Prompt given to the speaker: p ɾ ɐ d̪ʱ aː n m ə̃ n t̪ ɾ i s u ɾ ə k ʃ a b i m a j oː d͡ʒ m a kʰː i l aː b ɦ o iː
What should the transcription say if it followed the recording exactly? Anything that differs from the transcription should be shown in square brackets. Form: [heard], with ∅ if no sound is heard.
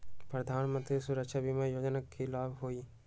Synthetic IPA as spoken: p ɾ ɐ d̪ʱ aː n m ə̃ n t̪ ɾ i s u ɾ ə k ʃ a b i m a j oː d͡ʒ [n] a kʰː i l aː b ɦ o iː